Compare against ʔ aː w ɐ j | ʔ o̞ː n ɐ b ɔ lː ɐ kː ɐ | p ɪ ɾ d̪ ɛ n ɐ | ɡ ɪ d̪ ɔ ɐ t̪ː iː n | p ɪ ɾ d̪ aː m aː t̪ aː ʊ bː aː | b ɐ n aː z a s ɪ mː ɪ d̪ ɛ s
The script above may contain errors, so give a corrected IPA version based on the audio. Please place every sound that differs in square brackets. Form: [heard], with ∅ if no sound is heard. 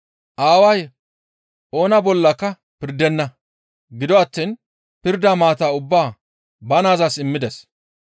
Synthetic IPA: ʔ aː w ɐ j | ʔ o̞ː n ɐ b ɔ lː ɐ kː ɐ | p ɪ ɾ d̪ ɛ [nː] ɐ | ɡ ɪ d̪ ɔ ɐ t̪ː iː n | p ɪ ɾ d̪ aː m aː t̪ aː ʊ bː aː | b ɐ n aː z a s ɪ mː ɪ d̪ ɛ s